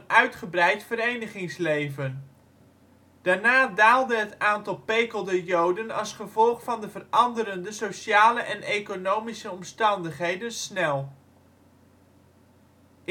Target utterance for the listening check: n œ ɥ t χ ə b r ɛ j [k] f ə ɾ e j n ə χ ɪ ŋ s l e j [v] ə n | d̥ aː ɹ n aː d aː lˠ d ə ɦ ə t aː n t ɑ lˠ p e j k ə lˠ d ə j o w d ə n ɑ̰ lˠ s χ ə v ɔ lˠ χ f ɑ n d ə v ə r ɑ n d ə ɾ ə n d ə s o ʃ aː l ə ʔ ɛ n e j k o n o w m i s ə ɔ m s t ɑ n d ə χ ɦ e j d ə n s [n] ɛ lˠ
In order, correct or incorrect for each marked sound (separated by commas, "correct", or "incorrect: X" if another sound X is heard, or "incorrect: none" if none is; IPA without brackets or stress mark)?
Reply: incorrect: t, correct, correct